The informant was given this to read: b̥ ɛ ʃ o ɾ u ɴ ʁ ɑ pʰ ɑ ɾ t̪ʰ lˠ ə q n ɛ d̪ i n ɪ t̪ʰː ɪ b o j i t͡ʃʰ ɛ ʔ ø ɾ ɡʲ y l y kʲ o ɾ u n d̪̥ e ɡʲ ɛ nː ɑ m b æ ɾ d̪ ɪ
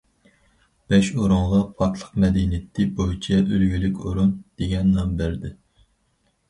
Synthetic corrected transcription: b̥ ɛ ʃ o ɾ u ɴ ʁ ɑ pʰ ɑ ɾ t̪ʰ lˠ ə q m ɛ d̪ i n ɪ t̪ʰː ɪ b o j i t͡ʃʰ ɛ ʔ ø l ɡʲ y l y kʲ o ɾ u n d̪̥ e ɡʲ ɛ nː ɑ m b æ ɾ d̪ ɪ

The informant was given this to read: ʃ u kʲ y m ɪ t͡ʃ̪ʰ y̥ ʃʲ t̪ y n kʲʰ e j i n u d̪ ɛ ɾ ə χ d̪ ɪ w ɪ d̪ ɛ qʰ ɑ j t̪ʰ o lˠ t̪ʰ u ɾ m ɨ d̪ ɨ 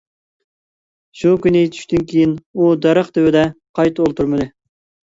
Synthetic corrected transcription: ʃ u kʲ y n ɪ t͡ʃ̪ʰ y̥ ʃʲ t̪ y n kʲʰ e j i n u d̪ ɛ ɾ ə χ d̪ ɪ w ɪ d̪ ɛ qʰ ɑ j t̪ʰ o lˠ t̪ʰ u ɾ m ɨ d̪ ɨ

